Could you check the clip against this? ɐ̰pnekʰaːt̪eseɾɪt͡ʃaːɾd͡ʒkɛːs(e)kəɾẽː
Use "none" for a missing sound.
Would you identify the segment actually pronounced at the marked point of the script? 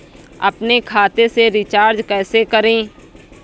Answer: e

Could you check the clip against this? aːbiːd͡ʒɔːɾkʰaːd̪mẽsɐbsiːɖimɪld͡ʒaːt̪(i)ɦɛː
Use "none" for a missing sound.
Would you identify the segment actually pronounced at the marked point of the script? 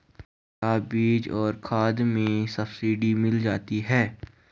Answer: i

